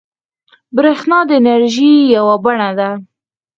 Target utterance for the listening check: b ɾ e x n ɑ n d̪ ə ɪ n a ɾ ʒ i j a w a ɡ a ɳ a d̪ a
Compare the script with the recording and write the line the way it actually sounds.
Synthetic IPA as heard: b ɾ e x n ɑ d̪ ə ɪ n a ɾ ʒ i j a w a b a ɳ a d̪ a